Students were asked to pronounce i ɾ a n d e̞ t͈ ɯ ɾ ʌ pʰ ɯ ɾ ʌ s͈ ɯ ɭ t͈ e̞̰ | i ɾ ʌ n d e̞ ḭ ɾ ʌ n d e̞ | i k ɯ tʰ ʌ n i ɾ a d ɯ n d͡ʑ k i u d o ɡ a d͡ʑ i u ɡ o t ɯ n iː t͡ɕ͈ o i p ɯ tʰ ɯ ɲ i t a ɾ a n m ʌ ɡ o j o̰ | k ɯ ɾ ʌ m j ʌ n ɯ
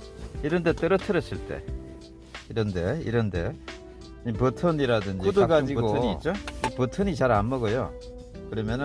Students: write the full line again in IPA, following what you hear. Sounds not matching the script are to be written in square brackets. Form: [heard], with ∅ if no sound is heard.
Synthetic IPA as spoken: i ɾ [ʌ] n d e̞ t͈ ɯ ɾ ʌ [tʰ] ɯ ɾ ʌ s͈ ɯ ɭ t͈ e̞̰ | i ɾ ʌ n d e̞ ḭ ɾ ʌ n d e̞ | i [p] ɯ tʰ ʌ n i ɾ a d ɯ n d͡ʑ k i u d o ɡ a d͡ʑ i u ɡ o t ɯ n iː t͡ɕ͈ o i p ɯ tʰ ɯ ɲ i [t͡ɕ] a ɾ a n m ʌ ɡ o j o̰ | k ɯ ɾ ʌ m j ʌ n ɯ